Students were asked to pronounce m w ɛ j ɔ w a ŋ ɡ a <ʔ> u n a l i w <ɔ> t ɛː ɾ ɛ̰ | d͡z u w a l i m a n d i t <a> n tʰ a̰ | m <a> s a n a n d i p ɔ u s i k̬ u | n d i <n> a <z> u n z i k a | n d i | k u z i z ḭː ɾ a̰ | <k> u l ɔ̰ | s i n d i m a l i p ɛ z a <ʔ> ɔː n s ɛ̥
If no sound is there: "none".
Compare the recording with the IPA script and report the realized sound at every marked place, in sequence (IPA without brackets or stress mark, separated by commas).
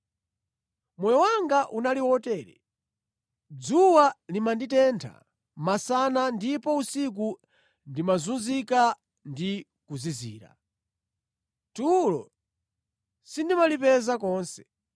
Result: ʔ, ɔ, ɛ, a, m, z, t, k